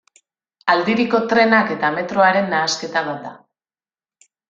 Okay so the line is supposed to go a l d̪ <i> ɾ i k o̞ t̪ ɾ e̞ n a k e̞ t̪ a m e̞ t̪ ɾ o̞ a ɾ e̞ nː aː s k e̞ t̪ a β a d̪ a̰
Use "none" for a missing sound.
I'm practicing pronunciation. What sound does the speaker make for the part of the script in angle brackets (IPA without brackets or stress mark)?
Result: i